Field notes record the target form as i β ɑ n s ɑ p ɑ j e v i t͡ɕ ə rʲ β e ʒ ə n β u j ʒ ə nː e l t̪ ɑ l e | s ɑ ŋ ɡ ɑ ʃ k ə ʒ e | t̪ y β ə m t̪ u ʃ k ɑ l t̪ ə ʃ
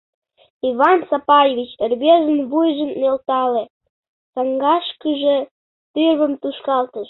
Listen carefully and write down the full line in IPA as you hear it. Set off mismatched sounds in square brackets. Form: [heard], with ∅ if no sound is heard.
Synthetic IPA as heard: i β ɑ n s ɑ p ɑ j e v i t͡ɕ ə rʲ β e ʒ ə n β u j ʒ ə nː e l t̪ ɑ l e | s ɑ ŋ ɡ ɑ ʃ k ə ʒ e | t̪ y β ə m t̪ u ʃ k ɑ l t̪ ə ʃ

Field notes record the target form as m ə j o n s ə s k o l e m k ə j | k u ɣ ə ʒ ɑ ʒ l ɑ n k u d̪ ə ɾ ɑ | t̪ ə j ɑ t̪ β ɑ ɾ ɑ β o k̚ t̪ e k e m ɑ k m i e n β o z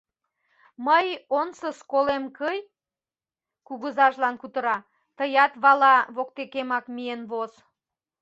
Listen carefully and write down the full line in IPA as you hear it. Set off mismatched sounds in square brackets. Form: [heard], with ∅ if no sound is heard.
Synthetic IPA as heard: m ə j o n s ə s k o l e m k ə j | k u ɣ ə [z] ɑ ʒ l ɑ n k u [t̪] ə ɾ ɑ | t̪ ə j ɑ t̪ β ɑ [l] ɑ β o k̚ t̪ e k e m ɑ k m i e n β o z

